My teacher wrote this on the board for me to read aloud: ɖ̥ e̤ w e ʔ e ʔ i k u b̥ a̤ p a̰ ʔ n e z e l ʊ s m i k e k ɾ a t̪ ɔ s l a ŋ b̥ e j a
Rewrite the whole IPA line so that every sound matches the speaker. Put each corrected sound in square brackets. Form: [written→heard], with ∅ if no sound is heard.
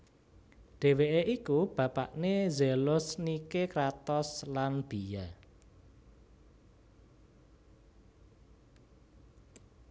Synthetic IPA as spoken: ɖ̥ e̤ w e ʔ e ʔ i k u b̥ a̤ p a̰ ʔ n e z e l ʊ s [m→n] i k e k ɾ a t̪ ɔ s l a [ŋ→n] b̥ [e→i] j a